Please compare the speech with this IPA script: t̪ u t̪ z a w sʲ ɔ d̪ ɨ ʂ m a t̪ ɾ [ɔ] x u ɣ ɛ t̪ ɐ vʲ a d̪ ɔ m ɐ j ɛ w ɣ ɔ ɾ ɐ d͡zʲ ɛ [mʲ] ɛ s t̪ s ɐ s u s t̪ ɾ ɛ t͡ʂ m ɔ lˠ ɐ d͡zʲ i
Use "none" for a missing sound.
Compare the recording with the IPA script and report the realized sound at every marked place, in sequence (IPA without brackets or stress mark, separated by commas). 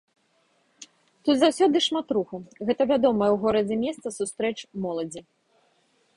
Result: u, mʲ